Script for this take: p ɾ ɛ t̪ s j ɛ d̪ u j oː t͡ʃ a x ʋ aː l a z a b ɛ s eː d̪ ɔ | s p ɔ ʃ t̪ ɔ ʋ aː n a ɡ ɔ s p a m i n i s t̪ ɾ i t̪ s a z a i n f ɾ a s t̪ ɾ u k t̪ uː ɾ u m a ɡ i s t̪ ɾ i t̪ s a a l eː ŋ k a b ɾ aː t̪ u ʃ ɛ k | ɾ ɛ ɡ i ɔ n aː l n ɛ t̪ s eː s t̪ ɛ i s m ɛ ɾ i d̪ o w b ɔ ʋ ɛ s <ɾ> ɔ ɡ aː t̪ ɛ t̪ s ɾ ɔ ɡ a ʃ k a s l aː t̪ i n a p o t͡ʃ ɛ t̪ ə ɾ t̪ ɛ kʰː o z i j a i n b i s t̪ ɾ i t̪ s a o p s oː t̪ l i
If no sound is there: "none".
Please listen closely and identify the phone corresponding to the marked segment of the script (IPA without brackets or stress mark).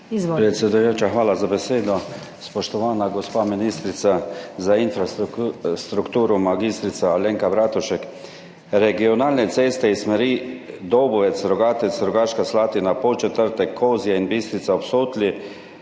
ɾ